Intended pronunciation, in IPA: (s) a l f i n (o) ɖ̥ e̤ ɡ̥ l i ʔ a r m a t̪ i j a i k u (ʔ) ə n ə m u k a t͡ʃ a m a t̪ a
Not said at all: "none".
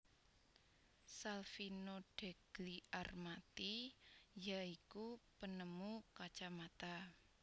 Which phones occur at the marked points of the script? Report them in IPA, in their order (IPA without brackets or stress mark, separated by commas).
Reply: s, o, p